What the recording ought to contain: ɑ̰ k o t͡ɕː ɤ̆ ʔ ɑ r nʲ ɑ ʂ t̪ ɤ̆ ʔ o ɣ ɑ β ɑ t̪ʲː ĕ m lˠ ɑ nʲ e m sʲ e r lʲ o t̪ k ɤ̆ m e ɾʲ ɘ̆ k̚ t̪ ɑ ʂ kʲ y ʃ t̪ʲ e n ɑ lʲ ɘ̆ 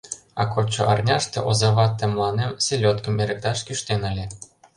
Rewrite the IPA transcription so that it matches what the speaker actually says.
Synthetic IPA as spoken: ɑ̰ k o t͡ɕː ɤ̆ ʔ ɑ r nʲ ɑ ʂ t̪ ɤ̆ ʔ o z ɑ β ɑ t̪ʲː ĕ m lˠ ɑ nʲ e m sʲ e lʲ o t̪ k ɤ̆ m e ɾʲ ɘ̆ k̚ t̪ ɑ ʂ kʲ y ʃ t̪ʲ e n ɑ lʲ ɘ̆